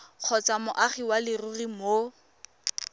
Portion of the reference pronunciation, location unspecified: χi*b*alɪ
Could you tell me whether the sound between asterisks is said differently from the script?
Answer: yes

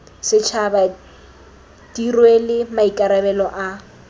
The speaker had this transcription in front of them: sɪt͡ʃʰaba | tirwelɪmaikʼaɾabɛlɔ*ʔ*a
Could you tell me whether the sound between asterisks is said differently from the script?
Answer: no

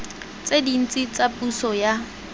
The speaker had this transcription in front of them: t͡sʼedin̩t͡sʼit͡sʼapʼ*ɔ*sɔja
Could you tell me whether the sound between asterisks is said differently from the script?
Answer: yes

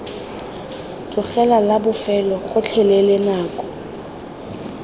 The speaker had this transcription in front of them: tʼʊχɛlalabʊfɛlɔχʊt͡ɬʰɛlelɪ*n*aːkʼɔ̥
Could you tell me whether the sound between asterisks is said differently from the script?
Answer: no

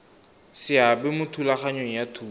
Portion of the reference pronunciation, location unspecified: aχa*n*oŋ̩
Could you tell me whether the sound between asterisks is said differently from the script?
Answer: yes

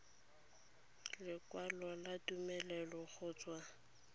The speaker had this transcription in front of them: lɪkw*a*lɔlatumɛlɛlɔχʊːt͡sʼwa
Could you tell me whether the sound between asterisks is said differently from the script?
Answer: no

